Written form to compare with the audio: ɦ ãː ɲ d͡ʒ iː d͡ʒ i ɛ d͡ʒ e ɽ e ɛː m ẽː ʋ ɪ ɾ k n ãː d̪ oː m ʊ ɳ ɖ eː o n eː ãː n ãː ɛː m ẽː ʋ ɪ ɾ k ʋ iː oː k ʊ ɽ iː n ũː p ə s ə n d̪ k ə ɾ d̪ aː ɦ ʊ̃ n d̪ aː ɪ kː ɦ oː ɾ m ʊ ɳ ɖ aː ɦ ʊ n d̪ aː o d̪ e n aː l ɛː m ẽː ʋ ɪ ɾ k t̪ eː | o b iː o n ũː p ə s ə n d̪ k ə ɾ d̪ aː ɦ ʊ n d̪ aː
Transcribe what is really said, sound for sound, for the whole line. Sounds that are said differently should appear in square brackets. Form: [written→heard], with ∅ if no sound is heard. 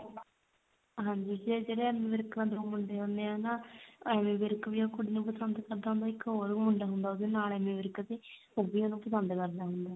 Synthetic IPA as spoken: ɦ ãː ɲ d͡ʒ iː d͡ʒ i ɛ d͡ʒ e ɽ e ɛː m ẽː ʋ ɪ ɾ k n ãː d̪ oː m ʊ ɳ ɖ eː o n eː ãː n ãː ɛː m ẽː ʋ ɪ ɾ k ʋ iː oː k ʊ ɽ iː n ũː p ə s ə n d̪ k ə ɾ d̪ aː ɦ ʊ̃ n d̪ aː ɪ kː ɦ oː ɾ m ʊ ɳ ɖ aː ɦ ʊ n d̪ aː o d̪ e n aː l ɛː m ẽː ʋ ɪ ɾ k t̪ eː | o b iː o n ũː p ə s ə n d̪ k ə ɾ d̪ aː ɦ ʊ n d̪ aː